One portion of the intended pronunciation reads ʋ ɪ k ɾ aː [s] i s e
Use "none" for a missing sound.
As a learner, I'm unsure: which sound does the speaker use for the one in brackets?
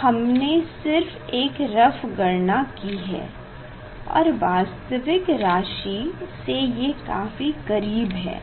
ʃ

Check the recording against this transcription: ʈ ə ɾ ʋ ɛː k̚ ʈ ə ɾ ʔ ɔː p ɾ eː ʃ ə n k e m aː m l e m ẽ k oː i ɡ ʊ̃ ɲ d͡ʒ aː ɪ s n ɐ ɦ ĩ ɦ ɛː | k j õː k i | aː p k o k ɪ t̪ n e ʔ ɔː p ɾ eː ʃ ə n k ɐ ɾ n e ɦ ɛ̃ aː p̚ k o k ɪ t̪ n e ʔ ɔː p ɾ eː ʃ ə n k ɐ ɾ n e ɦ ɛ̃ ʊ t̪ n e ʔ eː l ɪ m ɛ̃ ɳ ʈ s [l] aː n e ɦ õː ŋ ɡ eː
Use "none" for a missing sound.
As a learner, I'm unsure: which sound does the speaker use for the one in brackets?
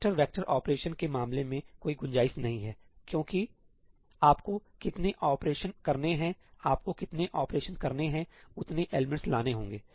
l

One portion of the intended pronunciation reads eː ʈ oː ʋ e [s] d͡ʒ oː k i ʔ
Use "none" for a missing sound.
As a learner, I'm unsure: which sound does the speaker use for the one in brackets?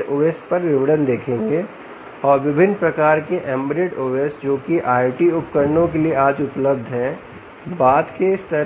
s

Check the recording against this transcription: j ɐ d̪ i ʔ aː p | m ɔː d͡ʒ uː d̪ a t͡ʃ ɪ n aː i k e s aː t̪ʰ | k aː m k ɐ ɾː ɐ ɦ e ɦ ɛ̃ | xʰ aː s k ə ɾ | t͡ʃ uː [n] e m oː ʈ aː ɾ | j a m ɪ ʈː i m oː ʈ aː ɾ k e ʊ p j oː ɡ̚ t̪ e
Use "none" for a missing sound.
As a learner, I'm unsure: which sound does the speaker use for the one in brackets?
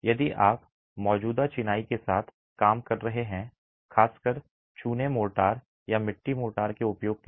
n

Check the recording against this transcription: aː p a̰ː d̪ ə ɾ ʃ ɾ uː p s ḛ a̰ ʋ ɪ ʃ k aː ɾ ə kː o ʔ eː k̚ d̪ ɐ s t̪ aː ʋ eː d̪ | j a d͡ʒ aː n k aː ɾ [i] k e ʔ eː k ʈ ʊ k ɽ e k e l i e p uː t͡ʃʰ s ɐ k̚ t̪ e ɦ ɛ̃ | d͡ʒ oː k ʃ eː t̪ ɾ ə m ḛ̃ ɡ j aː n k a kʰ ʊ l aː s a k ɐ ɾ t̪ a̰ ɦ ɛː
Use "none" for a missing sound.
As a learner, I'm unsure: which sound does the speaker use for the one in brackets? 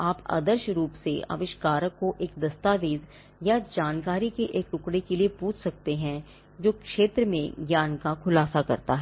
i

